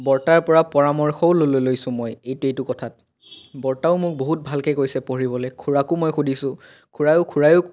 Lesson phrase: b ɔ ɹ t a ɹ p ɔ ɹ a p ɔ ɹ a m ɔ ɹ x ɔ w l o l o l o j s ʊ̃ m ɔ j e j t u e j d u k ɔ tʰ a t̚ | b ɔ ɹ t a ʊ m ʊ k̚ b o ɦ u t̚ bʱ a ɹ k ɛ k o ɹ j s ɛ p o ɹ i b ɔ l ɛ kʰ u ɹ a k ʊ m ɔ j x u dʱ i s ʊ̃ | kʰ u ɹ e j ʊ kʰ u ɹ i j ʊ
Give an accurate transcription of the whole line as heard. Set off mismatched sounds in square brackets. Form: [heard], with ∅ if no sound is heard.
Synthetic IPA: b ɔ ɹ t a ɹ p ɔ ɹ a p ɔ ɹ a m ɔ ɹ x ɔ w l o l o l o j s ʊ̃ m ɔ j e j t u e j [t] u k ɔ tʰ a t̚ | b ɔ ɹ t a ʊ m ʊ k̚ b o ɦ u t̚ bʱ a [l] k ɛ k o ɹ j s ɛ p o ɹ i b ɔ l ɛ kʰ u ɹ a k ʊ m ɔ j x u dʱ i s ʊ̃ | kʰ u ɹ [a] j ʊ kʰ u ɹ [a] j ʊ

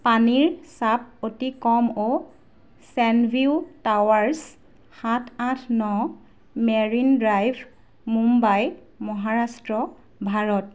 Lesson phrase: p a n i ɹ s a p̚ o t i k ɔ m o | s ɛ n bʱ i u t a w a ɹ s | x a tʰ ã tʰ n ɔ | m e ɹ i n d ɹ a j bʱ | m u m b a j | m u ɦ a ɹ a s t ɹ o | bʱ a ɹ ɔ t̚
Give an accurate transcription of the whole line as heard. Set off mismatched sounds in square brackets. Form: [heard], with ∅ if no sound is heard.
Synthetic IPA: p a n i ɹ s a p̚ o t i k ɔ m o | s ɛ n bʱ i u t a w a ɹ s | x a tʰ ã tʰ n ɔ | m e ɹ i n d ɹ a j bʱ | m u m b a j | m [ɔ] ɦ a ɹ a s t ɹ [ɔ] | bʱ a ɹ ɔ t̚

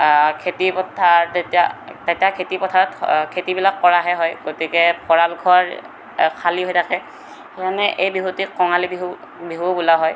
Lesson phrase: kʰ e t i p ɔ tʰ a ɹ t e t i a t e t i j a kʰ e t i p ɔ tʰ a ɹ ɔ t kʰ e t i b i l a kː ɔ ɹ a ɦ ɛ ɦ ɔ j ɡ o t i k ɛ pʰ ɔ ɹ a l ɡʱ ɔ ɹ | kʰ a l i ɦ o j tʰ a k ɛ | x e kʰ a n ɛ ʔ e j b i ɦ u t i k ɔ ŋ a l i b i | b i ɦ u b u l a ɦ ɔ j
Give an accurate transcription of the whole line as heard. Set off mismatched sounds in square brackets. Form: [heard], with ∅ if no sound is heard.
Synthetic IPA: kʰ e t i p ɔ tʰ a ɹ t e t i a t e t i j a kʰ e t i p ɔ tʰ a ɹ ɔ t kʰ e t i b i l a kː ɔ ɹ a ɦ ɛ ɦ ɔ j ɡ o t i k ɛ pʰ ɔ ɹ a l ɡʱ ɔ ɹ | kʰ a l i ɦ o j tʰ a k ɛ | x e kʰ a n ɛ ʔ e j b i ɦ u t i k ɔ ŋ a l i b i | b i ɦ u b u l a ɦ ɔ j

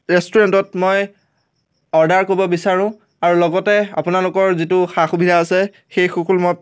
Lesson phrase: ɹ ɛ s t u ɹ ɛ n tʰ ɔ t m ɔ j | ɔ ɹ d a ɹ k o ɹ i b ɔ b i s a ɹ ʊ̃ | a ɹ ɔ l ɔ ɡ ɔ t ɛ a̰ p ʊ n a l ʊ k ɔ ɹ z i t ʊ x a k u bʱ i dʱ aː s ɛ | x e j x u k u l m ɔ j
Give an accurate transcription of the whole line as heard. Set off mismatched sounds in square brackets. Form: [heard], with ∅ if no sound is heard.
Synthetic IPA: ɹ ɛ s t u ɹ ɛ n [t] ɔ t m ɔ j | ɔ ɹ d a ɹ k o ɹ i b ɔ b i s a ɹ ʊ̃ | a ɹ [u] l ɔ ɡ ɔ t ɛ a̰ p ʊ n a l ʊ k ɔ ɹ z i t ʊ x a [x] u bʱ i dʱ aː s ɛ | x e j x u k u l m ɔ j

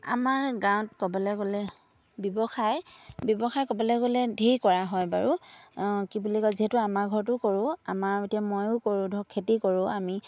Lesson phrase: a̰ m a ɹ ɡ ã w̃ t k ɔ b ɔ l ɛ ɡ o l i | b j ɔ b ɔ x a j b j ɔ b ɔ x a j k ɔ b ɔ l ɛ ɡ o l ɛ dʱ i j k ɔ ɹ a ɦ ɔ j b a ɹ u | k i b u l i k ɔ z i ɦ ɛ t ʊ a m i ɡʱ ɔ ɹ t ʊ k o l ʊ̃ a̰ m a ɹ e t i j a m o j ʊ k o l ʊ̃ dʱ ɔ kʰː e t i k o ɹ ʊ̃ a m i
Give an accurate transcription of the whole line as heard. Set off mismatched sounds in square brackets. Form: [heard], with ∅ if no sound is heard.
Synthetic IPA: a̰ m a ɹ ɡ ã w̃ t k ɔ b ɔ l ɛ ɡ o l [ɛ] | b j ɔ b ɔ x a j b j ɔ b ɔ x a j k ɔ b ɔ l ɛ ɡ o l ɛ dʱ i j k ɔ ɹ a ɦ ɔ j b a ɹ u | k i b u l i k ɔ z i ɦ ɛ t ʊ a m [a] ɡʱ ɔ ɹ t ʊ k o [ɹ] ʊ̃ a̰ m a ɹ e t i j a m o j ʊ k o [ɹ] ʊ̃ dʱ ɔ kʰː e t i k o ɹ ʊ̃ a m i

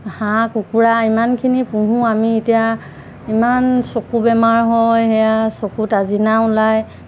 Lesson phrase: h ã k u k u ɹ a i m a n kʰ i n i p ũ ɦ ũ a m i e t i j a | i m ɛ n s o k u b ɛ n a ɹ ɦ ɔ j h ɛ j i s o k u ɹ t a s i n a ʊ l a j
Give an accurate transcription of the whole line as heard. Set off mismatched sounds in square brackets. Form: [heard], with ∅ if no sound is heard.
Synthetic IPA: h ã k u k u ɹ a i m a n kʰ i n i p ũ ɦ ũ a m i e t i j a | i m [a] n s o k u b ɛ [m] a ɹ ɦ ɔ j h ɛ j [a] s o k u [∅] t a [z] i n a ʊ l a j

